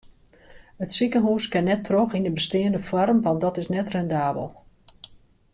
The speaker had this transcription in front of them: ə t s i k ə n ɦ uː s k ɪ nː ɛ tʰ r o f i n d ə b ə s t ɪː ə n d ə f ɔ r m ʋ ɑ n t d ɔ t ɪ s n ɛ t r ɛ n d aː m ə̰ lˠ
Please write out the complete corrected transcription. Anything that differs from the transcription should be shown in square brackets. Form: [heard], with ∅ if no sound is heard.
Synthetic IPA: ə t s i k ə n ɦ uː s k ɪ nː ɛ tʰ r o [x] i n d ə b ə s t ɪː ə n d ə f ɔ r m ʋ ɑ n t d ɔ t ɪ s n ɛ t r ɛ n d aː [b] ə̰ lˠ

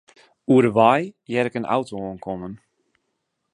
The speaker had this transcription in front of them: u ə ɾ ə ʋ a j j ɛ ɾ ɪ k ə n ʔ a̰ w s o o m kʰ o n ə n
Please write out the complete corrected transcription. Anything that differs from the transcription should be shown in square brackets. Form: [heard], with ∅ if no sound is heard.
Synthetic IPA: u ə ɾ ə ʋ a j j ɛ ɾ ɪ k ə n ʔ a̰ w [t] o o [n] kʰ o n ə n

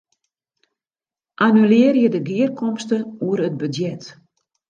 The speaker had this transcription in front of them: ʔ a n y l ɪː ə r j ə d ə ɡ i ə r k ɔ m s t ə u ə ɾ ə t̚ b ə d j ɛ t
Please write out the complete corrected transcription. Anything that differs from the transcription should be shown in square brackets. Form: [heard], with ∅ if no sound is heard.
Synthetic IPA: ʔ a n y l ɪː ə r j ə d ə ɡ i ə r k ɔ m s t ə u ə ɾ ə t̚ b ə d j ɛ t

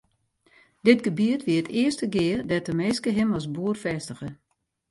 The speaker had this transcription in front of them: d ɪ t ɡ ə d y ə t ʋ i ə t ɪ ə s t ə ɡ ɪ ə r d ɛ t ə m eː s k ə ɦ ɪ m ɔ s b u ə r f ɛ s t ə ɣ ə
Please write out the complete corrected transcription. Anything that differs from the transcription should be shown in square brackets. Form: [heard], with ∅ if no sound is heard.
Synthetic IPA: d ɪ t ɡ ə [b] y ə t ʋ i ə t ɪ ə s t ə ɡ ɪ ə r d ɛ t ə m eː s k ə ɦ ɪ m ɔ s b u ə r f ɛ s t ə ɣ ə

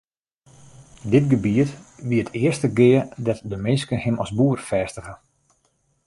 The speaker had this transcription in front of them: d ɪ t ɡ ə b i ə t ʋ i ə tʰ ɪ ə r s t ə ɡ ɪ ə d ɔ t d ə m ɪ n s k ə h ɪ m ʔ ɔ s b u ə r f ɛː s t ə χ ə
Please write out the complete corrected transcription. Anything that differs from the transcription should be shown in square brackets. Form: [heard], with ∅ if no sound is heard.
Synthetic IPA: d ɪ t ɡ ə b i ə t ʋ i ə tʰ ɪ ə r s t ə ɡ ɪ ə d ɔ t d ə m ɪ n s k ə h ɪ m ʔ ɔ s b u ə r f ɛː s t ə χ ə

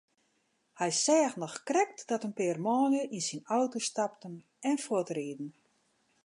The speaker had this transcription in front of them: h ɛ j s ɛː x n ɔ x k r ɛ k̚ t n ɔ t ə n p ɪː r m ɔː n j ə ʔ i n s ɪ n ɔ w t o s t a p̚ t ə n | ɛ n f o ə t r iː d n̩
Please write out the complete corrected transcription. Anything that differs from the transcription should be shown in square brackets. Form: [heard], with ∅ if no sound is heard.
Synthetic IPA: h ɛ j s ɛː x n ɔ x k r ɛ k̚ t [d] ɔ t ə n p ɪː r m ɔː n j ə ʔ i n s [i] n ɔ w t o s t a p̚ t ə n | ɛ n f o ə t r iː d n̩

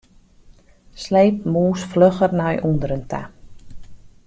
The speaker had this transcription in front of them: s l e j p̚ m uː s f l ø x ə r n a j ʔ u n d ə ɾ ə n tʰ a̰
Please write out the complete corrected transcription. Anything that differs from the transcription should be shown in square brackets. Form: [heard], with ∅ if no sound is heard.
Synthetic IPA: s l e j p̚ m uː s f l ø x ə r n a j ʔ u n d ə ɾ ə n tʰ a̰

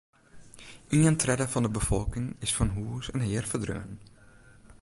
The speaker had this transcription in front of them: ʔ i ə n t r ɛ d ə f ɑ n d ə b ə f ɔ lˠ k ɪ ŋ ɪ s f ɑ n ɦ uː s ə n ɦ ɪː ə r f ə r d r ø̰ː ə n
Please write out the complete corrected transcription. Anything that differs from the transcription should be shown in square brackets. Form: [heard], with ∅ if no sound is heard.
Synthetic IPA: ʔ i ə n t r ɛ d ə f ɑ n d ə b ə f ɔ lˠ k ɪ ŋ ɪ s f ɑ n ɦ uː s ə n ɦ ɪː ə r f ə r d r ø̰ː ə n

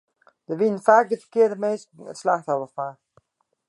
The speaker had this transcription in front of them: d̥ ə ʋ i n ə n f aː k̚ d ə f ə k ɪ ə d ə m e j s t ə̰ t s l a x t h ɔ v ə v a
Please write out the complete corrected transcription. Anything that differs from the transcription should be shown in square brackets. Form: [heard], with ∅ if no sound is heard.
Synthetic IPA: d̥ ə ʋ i n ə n f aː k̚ d ə f ə k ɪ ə d ə m e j s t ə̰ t s l a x t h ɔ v ə [f] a

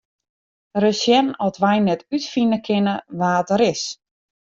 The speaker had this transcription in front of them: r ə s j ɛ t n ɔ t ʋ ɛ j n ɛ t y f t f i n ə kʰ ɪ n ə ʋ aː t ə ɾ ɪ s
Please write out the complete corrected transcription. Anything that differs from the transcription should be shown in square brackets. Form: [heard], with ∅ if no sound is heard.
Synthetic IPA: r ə s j ɛ [∅] n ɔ t ʋ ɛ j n ɛ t y [∅] t f i n ə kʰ ɪ n ə ʋ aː t ə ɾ ɪ s

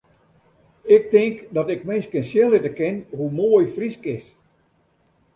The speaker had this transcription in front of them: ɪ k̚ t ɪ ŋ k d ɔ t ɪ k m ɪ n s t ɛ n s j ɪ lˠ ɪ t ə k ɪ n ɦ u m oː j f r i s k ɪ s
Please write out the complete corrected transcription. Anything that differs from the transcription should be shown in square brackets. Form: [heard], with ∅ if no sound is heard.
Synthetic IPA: ɪ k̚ t ɪ ŋ k d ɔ t ɪ k m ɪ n s [k] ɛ n s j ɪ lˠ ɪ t ə k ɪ n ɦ u m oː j f r i s k ɪ s

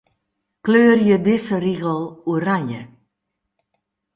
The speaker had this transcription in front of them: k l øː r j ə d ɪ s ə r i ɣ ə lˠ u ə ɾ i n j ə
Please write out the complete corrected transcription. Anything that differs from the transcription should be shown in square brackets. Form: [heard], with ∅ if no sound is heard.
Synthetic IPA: k l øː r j ə d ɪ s ə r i ɣ ə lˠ u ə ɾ [a] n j ə

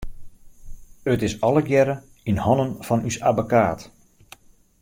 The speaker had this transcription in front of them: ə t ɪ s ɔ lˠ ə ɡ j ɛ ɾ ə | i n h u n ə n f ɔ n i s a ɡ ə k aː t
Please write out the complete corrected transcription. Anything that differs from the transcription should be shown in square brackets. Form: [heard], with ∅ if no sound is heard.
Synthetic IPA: ə t ɪ s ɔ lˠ ə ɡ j ɛ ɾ ə | i n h [ɔ] n ə n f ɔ n [y] s a [b] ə k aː t

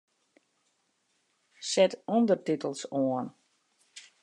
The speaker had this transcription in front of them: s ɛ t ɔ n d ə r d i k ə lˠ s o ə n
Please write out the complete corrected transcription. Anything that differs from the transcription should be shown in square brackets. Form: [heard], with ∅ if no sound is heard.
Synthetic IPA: s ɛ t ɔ n d ə r [t] i [t] ə lˠ s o ə n

